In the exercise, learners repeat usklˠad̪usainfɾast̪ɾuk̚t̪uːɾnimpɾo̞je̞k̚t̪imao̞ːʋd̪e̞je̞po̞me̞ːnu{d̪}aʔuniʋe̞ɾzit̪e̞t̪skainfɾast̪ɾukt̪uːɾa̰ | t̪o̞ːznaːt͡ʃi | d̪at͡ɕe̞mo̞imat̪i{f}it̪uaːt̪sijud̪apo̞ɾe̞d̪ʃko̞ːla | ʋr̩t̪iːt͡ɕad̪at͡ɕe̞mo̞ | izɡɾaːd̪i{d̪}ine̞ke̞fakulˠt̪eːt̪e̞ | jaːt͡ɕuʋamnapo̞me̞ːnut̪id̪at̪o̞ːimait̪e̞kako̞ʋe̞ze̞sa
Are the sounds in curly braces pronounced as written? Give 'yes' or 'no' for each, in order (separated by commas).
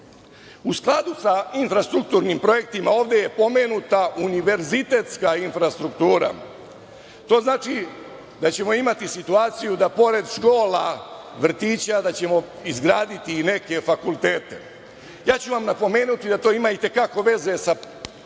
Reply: no, no, no